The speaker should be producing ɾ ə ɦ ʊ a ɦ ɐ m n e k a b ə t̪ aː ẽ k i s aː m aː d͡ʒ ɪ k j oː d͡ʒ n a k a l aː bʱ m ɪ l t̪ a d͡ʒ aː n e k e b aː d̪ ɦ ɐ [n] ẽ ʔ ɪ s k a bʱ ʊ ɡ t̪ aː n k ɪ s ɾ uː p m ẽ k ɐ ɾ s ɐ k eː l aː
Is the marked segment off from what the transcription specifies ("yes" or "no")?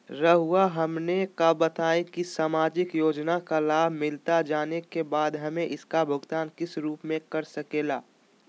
yes